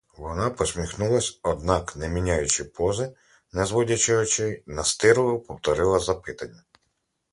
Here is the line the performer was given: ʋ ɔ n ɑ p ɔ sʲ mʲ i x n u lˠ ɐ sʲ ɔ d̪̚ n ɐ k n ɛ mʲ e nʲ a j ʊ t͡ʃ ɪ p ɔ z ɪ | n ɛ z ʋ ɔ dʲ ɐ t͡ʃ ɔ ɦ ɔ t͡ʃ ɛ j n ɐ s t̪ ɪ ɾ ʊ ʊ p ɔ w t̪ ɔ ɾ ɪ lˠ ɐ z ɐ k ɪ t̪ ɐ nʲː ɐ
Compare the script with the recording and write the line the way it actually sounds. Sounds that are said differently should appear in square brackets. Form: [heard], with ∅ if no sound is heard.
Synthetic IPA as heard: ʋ ɔ n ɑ p ɔ sʲ mʲ i x n u lˠ ɐ sʲ ɔ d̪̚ n [ɑ] k n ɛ mʲ [i] nʲ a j ʊ t͡ʃ ɪ p ɔ z ɪ | n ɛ z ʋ ɔ dʲ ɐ t͡ʃ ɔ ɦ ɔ t͡ʃ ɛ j n ɐ s t̪ ɪ ɾ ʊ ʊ p ɔ w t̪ ɔ ɾ ɪ lˠ ɐ z ɐ [p] ɪ t̪ ɐ nʲː ɐ

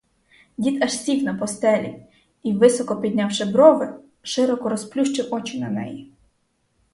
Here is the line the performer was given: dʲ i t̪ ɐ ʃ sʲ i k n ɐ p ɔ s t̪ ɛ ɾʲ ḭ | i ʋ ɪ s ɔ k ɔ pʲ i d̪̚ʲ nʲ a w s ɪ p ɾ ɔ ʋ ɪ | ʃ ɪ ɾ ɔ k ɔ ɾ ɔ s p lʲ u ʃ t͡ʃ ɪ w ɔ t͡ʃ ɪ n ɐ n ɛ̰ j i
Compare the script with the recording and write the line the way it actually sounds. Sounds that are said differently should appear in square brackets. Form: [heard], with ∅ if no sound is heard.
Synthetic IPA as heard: dʲ i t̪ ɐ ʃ sʲ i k n ɐ p ɔ s t̪ ɛ [lʲ] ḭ | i ʋ ɪ s ɔ k ɔ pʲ i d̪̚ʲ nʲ a w [ʃ] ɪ [b] ɾ ɔ ʋ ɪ | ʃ ɪ ɾ ɔ k ɔ ɾ ɔ s p lʲ u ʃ t͡ʃ ɪ w ɔ t͡ʃ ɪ n ɐ n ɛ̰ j i

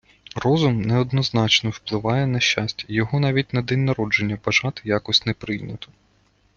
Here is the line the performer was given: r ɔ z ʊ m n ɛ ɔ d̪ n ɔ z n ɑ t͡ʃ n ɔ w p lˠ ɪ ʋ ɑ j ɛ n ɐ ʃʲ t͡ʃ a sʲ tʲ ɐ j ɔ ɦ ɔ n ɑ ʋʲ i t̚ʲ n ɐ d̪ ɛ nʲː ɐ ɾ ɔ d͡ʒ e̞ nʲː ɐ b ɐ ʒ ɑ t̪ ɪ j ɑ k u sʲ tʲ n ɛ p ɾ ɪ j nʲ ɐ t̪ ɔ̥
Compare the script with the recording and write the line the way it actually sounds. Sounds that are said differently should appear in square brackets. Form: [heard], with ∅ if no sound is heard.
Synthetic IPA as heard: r ɔ z ʊ m n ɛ ɔ d̪ n ɔ z n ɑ t͡ʃ n ɔ w p lˠ ɪ ʋ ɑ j ɛ n ɐ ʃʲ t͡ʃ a sʲ tʲ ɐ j ɔ ɦ ɔ n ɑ ʋʲ i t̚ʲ n ɐ d̪ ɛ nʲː ɐ ɾ ɔ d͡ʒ e̞ nʲː ɐ b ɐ ʒ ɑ t̪ ɪ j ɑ k [ɔ] sʲ tʲ n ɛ p ɾ ɪ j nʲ ɐ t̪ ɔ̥

